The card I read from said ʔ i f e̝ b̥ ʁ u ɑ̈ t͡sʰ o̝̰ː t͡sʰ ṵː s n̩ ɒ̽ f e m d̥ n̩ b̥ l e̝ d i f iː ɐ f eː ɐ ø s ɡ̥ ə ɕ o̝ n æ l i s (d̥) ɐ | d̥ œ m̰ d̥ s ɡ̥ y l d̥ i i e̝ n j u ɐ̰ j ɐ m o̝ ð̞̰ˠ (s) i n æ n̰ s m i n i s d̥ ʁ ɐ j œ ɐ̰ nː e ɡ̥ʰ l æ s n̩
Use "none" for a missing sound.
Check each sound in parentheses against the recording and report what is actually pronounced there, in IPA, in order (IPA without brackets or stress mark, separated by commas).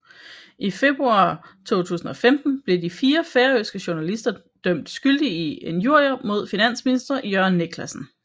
d̥, f